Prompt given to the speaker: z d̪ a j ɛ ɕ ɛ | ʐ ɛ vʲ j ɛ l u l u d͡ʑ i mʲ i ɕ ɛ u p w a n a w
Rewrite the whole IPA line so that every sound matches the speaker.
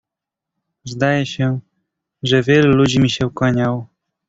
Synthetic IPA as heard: z d̪ a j ɛ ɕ ɛ | ʐ ɛ vʲ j ɛ l u l u d͡ʑ i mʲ i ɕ ɛ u k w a ɲ a w

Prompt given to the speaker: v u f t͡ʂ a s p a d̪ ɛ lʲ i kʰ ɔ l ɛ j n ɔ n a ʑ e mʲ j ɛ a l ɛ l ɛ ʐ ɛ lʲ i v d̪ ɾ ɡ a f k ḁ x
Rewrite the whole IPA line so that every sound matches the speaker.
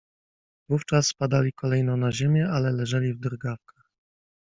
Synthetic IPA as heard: v u f t͡ʂ a s p a d̪ a lʲ i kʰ ɔ l ɛ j n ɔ n a ʑ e mʲ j ɛ a l ɛ l ɛ ʐ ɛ lʲ i v d̪ ɾ ɡ a f k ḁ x

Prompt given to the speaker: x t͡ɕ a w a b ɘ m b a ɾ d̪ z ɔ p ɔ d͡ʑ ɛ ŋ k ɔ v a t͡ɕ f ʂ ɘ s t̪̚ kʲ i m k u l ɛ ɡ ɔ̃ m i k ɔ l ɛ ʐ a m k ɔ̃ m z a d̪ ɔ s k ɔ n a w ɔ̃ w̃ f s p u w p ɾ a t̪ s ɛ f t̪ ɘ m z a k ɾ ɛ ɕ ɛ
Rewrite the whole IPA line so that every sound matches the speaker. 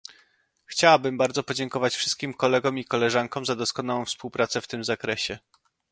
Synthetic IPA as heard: x t͡ɕ a w a b ɘ m b a ɾ d̪ z ɔ p ɔ d͡ʑ ɛ ŋ k ɔ v a t͡ɕ f ʂ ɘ s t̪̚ kʲ i m k ɔ l ɛ ɡ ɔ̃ m i k ɔ l ɛ ʐ a ŋ k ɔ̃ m z a d̪ ɔ s k ɔ n a w ɔ̃ w̃ f s p u w p ɾ a t̪ s ɛ f t̪ ɘ m z a k ɾ ɛ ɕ ɛ

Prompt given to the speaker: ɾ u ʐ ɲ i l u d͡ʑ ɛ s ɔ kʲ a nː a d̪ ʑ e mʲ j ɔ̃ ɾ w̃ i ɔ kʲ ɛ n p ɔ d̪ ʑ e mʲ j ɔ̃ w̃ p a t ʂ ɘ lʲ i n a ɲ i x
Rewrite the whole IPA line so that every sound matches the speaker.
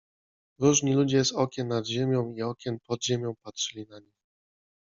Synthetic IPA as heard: ɾ u ʐ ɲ i l u d͡ʑ ɛ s ɔ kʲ ɛ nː a d̪ ʑ e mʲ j ɔ̃ w̃ i ɔ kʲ ɛ n p ɔ d̪ ʑ e mʲ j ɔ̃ w̃ p a t ʂ ɘ lʲ i n a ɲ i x

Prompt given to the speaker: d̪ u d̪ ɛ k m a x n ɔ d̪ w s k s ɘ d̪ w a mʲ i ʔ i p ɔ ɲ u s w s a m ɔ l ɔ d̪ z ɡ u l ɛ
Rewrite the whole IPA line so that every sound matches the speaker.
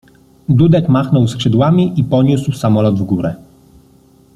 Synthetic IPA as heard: d̪ u d̪ ɛ k m a x n ɔ w s k ʂ ɘ d̪ w a mʲ i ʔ i p ɔ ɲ u s w s a m ɔ l ɔ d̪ v ɡ u ɾ ɛ

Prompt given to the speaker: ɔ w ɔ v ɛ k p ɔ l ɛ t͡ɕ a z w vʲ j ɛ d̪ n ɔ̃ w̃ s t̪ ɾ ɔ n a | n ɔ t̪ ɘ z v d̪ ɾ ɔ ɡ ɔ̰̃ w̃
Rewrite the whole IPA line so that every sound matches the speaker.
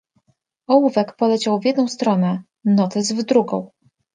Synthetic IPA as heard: ɔ w u v ɛ k p ɔ l ɛ t͡ɕ a w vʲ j ɛ d̪ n ɔ̃ w̃ s t̪ ɾ ɔ n ɛ | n ɔ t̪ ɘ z v d̪ ɾ u ɡ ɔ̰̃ w̃

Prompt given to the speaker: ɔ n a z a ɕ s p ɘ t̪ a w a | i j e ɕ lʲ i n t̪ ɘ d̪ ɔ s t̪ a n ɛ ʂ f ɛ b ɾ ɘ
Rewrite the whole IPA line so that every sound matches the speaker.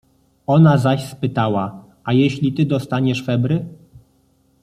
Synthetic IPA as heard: ɔ n a z a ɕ s p ɘ t̪ a w a | a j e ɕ lʲ i t̪ ɘ d̪ ɔ s t̪ a ɲ ɛ ʂ f ɛ b ɾ ɘ

